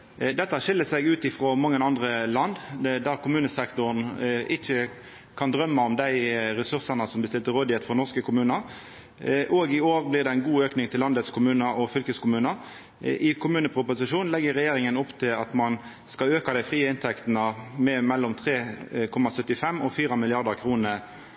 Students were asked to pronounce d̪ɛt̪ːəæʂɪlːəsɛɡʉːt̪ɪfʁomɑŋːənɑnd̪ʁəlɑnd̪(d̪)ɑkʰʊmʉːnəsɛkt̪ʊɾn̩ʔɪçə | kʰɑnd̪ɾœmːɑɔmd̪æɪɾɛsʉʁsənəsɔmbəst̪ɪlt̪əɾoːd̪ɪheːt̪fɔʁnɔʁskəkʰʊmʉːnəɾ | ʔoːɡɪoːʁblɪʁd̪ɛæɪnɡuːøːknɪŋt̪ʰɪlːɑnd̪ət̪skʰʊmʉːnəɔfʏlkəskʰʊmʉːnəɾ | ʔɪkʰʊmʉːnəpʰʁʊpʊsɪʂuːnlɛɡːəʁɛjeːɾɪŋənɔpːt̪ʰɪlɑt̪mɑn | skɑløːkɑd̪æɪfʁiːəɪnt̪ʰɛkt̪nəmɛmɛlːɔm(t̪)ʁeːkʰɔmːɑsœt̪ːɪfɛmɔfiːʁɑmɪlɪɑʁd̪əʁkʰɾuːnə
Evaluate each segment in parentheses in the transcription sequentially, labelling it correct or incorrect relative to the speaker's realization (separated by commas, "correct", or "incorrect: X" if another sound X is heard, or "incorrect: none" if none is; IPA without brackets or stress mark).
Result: correct, incorrect: t̪ʰ